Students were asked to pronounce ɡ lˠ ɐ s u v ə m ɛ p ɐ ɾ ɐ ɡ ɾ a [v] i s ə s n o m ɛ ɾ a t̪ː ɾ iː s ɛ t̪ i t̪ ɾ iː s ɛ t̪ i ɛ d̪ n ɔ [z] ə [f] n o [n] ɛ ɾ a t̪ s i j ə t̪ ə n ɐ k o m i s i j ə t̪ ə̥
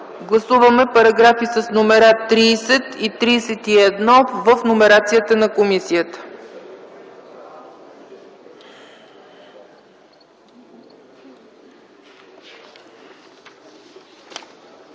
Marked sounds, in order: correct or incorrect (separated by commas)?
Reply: incorrect, incorrect, correct, incorrect